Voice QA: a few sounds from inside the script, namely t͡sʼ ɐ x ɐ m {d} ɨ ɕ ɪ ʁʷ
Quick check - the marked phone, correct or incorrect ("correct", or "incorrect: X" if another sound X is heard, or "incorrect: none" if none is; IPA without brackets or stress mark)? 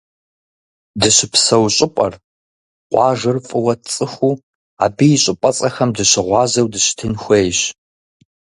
correct